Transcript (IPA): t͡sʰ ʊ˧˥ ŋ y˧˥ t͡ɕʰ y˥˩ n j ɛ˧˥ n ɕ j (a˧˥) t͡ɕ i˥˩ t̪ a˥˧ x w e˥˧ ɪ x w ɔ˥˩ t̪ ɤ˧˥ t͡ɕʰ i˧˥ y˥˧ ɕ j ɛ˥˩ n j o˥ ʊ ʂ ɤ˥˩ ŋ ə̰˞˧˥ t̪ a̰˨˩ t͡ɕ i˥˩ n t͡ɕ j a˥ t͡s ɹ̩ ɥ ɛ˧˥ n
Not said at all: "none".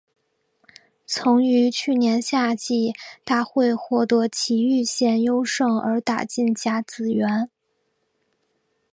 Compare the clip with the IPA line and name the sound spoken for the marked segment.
a˥˧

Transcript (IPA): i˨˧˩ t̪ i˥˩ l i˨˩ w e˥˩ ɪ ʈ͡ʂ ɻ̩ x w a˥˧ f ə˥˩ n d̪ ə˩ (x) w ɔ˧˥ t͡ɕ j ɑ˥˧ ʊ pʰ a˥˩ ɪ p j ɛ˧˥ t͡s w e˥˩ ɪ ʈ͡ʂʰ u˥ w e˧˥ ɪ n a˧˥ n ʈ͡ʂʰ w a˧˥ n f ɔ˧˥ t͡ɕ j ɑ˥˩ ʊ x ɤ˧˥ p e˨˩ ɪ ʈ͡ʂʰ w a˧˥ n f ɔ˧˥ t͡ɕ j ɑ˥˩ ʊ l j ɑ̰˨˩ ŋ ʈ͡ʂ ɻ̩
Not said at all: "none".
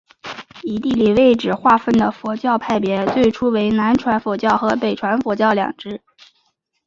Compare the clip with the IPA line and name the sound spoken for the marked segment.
f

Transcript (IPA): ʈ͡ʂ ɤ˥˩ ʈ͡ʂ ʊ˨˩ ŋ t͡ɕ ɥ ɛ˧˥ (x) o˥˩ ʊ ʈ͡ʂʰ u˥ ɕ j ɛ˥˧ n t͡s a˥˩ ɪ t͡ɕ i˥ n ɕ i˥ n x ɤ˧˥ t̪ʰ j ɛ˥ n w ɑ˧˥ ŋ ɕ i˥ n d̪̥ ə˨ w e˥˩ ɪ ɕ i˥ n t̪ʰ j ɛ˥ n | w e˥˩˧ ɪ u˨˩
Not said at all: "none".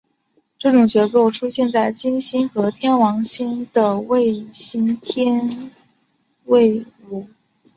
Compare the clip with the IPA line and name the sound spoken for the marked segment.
k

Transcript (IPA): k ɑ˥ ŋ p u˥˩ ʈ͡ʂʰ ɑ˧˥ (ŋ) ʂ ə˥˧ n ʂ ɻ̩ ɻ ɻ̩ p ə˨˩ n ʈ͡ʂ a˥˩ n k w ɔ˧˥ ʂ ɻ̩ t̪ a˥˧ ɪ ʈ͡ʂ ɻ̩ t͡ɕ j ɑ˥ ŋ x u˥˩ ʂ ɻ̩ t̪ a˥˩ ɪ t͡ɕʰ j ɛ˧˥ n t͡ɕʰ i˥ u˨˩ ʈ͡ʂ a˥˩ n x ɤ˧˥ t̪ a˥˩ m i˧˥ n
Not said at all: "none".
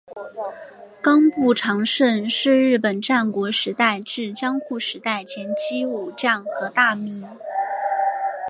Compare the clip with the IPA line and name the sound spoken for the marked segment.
ŋ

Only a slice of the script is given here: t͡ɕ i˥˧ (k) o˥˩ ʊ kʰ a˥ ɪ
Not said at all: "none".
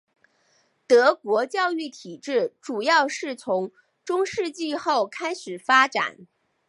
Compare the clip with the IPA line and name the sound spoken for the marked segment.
x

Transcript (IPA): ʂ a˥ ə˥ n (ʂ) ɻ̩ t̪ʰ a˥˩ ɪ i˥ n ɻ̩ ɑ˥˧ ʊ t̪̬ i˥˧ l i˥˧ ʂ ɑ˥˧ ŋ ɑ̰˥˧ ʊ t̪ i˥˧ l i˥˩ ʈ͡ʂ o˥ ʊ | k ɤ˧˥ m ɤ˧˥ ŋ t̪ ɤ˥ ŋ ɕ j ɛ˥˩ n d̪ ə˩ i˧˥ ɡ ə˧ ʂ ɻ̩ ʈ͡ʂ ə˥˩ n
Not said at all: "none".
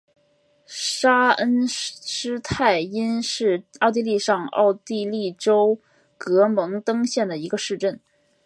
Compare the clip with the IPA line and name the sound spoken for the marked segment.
ʂ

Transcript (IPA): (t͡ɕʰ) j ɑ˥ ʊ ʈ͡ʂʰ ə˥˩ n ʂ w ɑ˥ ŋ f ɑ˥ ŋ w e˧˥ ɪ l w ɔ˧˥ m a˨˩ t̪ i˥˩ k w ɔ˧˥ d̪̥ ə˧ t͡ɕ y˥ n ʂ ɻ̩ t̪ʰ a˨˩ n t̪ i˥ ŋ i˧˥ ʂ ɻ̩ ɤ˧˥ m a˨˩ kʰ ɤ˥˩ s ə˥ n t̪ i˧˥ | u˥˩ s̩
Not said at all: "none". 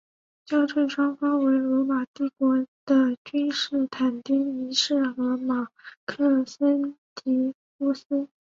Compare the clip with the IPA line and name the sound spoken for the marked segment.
t͡ɕ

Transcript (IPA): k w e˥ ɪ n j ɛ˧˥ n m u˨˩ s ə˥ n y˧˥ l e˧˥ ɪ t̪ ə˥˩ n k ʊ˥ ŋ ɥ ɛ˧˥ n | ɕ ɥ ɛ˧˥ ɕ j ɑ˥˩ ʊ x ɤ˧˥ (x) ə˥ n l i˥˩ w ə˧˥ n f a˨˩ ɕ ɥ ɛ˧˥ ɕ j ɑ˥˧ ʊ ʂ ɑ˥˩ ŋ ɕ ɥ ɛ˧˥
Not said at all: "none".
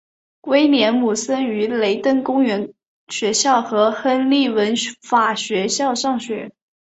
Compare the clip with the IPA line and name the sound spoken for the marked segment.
x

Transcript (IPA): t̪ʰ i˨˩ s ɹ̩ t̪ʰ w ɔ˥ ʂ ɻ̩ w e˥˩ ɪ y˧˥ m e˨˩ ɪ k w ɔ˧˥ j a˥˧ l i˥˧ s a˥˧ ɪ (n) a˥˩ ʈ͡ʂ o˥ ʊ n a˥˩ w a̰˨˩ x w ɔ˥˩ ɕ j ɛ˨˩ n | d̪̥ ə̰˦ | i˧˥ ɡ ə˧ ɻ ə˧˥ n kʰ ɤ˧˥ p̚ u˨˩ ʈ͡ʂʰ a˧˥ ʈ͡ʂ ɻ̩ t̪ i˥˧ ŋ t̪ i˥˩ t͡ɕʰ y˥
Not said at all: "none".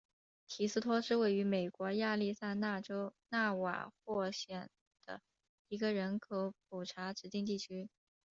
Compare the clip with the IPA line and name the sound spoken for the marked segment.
n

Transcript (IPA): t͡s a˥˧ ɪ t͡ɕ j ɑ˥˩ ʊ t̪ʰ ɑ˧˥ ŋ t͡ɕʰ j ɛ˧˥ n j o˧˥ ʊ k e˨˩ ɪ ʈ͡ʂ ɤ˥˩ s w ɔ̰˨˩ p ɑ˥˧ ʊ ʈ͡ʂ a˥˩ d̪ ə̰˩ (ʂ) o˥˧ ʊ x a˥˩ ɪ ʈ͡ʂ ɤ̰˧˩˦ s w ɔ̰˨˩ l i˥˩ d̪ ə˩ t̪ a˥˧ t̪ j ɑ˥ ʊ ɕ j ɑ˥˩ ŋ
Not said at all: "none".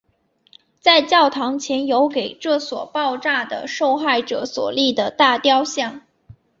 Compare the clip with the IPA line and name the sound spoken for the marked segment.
ʂ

